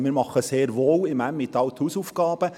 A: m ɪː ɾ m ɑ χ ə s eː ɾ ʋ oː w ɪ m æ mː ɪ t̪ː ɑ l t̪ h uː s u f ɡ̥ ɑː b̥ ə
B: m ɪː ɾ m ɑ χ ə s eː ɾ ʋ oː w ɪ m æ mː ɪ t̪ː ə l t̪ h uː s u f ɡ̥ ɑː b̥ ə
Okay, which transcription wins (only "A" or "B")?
A